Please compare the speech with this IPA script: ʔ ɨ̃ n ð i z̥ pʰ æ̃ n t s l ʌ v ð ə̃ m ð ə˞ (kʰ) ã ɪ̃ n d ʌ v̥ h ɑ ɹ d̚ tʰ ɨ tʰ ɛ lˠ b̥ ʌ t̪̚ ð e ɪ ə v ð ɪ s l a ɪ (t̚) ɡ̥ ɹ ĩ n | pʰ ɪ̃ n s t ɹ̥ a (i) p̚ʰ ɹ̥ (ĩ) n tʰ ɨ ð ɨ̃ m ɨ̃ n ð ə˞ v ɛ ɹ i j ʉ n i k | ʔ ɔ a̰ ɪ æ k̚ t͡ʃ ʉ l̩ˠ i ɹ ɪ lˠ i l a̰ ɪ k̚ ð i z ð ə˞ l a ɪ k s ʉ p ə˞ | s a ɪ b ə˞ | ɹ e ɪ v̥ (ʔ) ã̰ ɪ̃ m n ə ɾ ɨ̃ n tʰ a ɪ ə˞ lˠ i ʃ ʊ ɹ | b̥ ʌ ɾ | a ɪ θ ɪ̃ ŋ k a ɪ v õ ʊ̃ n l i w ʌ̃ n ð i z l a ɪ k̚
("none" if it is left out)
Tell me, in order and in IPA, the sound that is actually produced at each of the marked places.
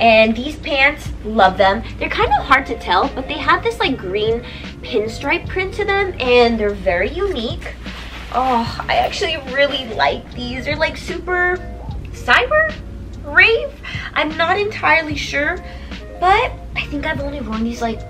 kʰ, k̚, ɪ, ɪ̃, ʔ

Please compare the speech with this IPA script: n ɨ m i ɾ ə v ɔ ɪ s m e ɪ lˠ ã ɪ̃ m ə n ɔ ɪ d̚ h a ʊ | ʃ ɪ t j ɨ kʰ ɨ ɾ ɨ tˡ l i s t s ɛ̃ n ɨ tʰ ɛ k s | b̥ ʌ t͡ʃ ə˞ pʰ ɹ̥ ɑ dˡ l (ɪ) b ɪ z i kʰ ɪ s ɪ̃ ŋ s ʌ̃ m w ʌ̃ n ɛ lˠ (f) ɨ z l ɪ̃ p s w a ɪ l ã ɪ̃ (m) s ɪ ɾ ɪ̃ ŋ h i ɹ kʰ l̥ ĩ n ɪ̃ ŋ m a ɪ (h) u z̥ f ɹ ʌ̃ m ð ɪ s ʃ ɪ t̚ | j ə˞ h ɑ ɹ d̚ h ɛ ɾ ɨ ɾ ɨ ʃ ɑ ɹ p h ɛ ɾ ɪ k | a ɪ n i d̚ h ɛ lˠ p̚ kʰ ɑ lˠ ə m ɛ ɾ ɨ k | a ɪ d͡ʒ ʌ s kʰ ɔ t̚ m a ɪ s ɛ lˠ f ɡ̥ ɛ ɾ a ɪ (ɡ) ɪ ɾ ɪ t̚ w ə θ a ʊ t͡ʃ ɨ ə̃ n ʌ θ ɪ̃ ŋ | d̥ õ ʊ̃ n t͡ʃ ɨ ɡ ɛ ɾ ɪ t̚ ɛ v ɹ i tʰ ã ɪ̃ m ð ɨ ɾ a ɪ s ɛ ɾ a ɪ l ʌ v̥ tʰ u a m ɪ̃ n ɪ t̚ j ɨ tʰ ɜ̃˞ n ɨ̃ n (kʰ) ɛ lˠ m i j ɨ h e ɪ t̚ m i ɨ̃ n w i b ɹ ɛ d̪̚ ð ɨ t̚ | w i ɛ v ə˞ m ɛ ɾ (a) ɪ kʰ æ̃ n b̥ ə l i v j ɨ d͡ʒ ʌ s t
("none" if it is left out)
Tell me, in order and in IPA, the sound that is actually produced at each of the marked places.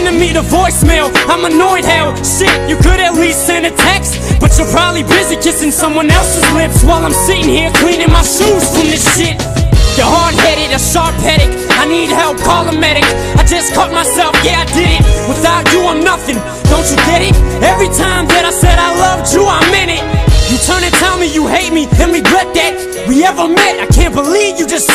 i, s, m, ʃ, d, tʰ, a

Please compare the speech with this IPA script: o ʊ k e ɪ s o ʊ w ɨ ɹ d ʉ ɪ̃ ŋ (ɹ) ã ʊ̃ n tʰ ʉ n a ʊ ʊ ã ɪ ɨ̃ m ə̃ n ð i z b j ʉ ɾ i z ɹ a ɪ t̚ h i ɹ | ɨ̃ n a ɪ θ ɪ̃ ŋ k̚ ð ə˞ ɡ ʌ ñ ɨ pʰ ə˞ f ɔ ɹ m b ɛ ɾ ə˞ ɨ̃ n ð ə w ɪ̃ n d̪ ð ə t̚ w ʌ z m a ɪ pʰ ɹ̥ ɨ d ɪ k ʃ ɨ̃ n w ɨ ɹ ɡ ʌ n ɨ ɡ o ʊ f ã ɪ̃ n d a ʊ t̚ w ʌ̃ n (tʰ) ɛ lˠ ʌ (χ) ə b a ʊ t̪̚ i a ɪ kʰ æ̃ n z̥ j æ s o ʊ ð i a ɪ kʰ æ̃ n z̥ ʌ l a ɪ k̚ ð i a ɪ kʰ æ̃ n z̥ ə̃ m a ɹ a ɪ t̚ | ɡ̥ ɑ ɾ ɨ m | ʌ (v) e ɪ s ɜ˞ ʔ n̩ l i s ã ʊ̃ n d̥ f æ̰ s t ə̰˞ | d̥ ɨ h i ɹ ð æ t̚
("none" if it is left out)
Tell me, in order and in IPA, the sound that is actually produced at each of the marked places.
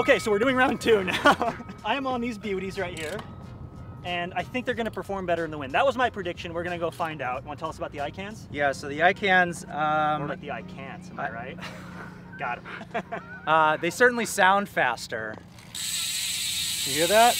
ɹ, tʰ, s, ð

